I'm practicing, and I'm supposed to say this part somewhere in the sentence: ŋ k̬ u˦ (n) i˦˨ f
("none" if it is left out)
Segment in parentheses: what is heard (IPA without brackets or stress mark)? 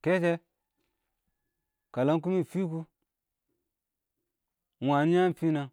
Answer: m